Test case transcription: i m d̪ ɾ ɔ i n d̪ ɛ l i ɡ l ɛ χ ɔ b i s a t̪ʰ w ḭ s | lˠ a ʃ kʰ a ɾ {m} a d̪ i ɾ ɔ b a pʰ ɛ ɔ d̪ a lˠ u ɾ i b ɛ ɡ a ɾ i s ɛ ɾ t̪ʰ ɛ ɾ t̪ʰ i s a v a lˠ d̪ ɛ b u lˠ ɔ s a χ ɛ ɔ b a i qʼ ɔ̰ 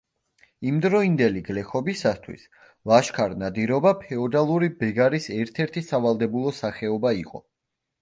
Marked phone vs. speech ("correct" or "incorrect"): incorrect